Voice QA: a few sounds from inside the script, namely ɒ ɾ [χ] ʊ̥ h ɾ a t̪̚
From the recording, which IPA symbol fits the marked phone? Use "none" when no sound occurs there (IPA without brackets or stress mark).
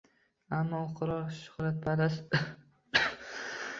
ʃ